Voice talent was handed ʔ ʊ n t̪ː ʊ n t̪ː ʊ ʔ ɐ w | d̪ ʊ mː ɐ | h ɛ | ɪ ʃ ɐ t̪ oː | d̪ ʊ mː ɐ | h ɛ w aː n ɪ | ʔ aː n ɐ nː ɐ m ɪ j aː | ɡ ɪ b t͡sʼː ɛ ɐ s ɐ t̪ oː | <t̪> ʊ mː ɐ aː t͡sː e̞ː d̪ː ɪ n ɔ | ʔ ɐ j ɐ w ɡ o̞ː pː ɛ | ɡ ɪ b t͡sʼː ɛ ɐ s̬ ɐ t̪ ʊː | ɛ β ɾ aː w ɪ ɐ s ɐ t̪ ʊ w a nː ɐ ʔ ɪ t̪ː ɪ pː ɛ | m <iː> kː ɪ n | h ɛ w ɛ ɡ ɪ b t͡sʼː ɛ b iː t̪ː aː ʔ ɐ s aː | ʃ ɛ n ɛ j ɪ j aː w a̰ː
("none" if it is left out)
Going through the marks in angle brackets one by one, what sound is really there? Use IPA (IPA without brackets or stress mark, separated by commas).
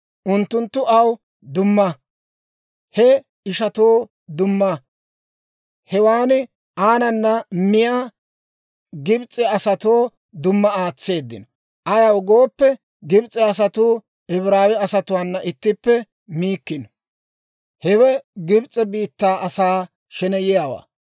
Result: d̪, iː